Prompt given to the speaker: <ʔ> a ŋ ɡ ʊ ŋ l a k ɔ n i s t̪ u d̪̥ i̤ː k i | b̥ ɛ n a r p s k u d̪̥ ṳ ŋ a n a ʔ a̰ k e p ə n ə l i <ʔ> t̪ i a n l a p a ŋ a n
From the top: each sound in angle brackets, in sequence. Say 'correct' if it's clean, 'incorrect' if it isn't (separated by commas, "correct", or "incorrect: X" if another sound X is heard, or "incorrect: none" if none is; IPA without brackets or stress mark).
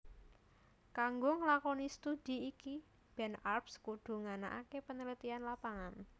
incorrect: k, incorrect: none